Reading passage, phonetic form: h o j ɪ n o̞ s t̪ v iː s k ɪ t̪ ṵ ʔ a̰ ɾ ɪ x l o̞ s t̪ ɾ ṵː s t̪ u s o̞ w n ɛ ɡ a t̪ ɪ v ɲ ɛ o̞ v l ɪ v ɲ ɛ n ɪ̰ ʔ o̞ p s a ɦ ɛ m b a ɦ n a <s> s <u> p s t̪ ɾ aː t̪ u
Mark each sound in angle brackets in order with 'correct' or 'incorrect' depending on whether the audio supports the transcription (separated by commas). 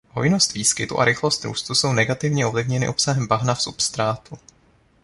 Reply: incorrect, correct